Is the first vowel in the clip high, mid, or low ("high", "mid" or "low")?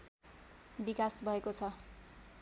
high